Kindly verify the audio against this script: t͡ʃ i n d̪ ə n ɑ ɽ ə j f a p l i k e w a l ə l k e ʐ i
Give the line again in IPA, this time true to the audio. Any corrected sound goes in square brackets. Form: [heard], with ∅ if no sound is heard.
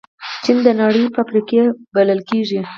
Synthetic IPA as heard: t͡ʃ i n d̪ ə n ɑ ɽ ə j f a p [ɾ] i k e [b] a l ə l k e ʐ i